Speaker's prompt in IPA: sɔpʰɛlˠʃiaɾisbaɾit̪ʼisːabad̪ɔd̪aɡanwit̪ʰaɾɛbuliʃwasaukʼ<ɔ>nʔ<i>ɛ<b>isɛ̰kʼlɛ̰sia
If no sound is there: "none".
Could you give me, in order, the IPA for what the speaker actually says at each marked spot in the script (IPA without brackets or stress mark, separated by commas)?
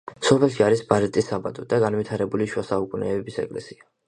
u, ɛ, b